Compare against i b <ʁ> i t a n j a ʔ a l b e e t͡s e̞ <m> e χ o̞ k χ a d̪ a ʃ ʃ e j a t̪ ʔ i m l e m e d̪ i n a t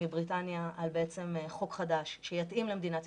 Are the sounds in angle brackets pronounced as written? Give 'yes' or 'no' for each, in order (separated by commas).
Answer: yes, yes